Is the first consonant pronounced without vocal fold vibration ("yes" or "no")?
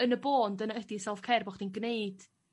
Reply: no